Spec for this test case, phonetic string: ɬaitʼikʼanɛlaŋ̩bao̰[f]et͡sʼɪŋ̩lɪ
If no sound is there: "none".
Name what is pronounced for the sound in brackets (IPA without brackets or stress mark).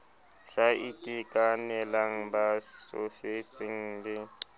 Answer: f